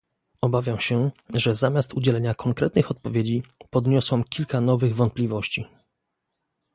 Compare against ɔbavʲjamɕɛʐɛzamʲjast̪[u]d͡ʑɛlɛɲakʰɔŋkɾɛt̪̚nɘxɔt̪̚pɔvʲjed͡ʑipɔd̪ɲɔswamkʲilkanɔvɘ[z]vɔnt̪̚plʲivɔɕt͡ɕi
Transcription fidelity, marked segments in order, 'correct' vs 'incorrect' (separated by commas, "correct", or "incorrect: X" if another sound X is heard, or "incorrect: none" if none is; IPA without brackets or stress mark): correct, incorrect: ɣ